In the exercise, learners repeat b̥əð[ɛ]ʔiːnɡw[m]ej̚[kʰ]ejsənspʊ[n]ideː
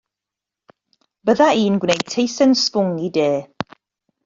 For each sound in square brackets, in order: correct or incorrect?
incorrect, incorrect, incorrect, incorrect

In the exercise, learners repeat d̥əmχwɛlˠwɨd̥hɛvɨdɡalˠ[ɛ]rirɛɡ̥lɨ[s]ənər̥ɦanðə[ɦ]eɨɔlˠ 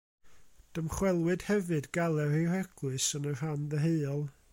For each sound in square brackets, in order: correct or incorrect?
correct, correct, correct

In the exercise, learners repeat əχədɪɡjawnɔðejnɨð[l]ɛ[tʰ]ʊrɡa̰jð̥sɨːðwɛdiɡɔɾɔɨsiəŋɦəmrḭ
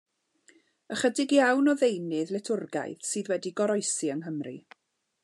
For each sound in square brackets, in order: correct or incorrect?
correct, correct

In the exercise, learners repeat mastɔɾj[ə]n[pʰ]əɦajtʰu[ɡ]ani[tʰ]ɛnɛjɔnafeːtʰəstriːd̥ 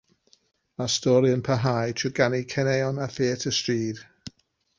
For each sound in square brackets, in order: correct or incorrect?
correct, correct, correct, incorrect

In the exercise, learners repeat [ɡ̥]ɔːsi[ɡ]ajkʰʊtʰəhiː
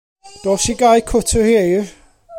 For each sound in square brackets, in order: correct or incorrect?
incorrect, correct

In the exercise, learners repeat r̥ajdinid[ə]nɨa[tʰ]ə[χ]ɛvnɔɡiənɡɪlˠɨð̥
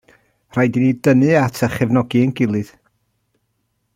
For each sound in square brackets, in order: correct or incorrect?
correct, correct, correct

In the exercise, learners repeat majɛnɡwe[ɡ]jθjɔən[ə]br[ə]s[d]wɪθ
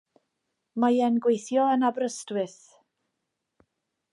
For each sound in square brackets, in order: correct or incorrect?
incorrect, incorrect, correct, incorrect

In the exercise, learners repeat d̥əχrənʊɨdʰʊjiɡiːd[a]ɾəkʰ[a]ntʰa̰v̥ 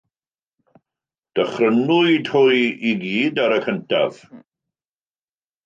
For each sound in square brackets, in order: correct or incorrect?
correct, incorrect

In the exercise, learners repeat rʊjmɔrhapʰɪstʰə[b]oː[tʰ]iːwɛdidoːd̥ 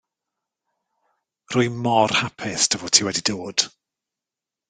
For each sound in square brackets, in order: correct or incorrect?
incorrect, correct

